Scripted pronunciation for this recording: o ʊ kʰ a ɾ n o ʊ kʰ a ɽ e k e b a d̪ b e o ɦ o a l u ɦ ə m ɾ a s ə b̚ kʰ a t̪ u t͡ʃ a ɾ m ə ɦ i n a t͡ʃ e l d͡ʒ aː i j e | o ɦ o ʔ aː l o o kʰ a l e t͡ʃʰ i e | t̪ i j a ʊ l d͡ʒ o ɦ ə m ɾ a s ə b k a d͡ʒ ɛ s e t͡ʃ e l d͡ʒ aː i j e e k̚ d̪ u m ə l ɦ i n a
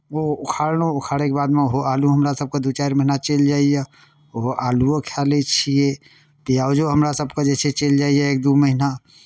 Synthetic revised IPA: o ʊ kʰ a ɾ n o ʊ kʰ a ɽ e k e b a d̪ m e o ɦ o a l u ɦ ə m ɾ a s ə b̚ k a d̪ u t͡ʃ a ɾ m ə ɦ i n a t͡ʃ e l d͡ʒ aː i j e | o ɦ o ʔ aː l u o kʰ a l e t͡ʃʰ i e | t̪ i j a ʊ d͡ʒ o ɦ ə m ɾ a s ə b k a d͡ʒ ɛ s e t͡ʃ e l d͡ʒ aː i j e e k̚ d̪ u m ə ɦ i n a